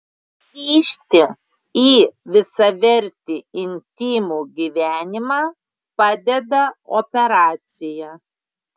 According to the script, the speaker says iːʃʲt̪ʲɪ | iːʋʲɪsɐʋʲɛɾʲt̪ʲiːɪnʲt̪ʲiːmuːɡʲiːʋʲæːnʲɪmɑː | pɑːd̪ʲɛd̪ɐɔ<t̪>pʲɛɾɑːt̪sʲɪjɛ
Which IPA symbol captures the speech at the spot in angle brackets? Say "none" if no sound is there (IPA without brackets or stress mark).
none